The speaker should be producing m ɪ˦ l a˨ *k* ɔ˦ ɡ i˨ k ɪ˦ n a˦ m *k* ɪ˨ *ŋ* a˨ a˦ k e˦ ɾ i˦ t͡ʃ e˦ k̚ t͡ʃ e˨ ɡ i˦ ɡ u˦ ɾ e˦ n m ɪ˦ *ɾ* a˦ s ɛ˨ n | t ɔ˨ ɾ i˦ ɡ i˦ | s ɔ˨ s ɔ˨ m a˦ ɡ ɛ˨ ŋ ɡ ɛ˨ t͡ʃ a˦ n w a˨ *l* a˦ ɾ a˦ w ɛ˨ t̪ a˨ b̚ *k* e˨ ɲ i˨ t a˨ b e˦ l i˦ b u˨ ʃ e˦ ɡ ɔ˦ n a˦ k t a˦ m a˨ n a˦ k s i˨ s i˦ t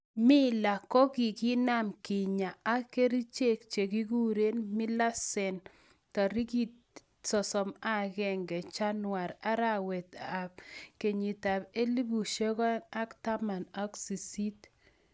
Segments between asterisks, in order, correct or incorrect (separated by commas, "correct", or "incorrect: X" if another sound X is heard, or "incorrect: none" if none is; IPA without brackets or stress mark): correct, correct, incorrect: ɲ, incorrect: l, incorrect: ɾ, correct